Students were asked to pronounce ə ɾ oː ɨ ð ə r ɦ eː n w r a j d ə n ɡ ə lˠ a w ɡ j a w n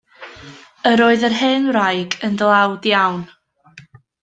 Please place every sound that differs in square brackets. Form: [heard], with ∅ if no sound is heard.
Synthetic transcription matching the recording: ə ɾ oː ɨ ð ə r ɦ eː n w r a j [ɡ] ə n [d] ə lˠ a w [d] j a w n

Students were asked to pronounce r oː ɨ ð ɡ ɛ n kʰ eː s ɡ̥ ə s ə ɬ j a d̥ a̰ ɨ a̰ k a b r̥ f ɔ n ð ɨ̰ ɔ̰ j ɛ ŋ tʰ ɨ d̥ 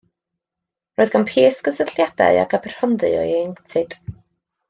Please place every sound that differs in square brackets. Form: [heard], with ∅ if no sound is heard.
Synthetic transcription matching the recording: r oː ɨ ð ɡ [a] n [pʰ] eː s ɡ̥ ə s ə ɬ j a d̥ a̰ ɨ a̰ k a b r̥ [h] ɔ n ð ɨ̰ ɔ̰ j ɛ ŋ tʰ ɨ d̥

